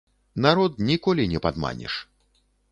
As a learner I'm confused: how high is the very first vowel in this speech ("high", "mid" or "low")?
low